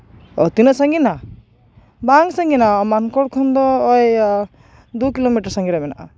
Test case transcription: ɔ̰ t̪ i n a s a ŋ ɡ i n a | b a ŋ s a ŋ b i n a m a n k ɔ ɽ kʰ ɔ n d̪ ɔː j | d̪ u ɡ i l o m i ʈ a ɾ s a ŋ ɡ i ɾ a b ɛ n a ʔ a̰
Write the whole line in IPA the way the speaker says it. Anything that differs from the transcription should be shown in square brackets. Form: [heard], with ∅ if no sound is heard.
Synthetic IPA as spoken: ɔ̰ t̪ i n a s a ŋ ɡ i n a | b a ŋ s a ŋ [ɡ] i n a m a n k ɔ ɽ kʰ ɔ n d̪ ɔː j | d̪ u [k] i l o m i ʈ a ɾ s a ŋ ɡ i ɾ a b ɛ n a ʔ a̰